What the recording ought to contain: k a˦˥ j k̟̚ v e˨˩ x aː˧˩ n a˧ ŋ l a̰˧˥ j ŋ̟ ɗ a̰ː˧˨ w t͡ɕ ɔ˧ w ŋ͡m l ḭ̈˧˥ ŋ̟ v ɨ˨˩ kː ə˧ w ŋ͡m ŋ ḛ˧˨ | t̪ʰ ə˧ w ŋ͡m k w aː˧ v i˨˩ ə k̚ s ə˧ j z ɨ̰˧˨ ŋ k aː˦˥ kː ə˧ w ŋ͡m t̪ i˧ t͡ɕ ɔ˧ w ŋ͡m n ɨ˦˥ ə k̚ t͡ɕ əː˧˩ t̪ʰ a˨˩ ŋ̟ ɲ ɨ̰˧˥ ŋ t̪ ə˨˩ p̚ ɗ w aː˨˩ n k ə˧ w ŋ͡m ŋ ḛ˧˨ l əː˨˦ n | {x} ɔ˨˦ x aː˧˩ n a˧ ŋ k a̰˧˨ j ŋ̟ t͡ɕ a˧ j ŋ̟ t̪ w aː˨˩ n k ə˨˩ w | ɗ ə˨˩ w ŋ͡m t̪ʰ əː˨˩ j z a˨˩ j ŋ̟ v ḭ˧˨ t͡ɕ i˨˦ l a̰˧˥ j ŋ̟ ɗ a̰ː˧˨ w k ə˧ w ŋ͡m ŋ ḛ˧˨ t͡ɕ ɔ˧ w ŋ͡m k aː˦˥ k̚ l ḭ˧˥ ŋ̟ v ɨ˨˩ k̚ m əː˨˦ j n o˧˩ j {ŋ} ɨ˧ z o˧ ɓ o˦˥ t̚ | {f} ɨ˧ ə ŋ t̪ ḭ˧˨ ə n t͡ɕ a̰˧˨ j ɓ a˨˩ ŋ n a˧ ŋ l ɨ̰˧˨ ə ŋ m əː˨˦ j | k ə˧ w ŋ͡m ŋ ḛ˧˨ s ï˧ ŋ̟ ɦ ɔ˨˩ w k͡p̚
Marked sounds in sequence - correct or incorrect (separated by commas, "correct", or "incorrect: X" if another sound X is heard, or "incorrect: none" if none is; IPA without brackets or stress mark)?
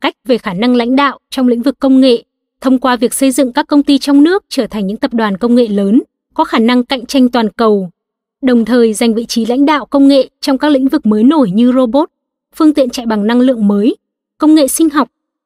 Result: incorrect: k, incorrect: ɲ, correct